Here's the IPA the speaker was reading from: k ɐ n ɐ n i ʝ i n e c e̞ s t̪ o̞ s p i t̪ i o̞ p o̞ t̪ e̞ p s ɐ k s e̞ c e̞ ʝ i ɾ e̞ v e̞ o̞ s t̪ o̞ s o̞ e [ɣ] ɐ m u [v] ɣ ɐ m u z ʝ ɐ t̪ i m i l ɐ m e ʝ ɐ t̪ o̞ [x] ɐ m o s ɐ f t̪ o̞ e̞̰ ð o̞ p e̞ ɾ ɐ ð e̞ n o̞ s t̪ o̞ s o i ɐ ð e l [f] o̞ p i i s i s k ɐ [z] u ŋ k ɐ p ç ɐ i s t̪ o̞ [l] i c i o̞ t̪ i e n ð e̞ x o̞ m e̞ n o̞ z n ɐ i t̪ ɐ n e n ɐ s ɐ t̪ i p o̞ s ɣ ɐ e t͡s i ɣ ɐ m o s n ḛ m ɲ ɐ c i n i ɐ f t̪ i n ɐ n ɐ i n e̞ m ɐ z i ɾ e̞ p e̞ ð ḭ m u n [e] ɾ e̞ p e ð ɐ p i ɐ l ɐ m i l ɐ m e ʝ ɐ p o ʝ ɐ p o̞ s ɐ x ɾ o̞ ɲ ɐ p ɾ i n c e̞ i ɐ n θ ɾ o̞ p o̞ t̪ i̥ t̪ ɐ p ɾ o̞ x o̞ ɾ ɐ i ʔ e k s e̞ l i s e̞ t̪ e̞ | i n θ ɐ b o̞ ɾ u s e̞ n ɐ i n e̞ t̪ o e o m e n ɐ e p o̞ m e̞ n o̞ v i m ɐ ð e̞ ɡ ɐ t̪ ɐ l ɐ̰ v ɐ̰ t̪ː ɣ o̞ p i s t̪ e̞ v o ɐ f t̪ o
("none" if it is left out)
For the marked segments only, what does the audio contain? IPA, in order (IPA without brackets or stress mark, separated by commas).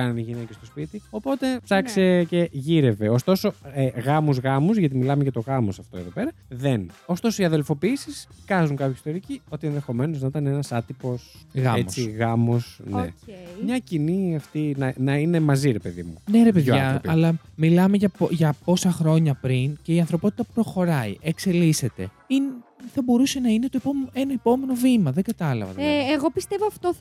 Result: ɣ, z, ɣ, f, z, ɾ, e